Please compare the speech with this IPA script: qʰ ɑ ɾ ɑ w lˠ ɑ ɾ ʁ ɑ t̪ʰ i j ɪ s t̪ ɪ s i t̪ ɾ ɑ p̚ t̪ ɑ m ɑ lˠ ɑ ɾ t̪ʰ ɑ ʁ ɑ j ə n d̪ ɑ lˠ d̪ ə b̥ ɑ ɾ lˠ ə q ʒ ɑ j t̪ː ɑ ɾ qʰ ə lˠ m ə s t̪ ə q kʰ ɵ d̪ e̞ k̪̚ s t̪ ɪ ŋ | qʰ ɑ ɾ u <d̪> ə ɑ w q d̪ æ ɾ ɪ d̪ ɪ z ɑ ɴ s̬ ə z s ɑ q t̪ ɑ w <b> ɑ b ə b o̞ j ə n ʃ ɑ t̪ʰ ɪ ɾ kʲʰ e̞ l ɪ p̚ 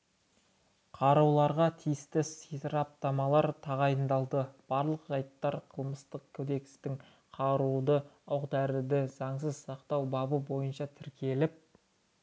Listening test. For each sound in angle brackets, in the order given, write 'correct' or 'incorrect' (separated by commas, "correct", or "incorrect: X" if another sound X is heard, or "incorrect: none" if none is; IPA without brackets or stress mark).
correct, correct